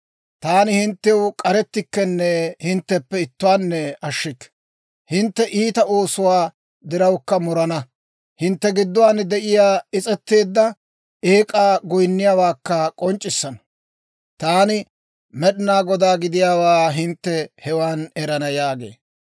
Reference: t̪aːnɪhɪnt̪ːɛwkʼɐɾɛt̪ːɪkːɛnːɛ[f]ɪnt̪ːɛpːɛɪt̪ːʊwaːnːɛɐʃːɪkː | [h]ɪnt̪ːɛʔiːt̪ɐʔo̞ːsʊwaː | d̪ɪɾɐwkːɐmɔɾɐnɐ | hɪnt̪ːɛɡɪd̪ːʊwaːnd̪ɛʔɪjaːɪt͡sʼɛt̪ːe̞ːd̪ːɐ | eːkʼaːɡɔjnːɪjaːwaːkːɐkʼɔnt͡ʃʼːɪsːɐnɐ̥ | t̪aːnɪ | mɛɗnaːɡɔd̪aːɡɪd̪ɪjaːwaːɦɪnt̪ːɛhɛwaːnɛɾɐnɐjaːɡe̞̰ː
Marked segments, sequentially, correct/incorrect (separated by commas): incorrect, correct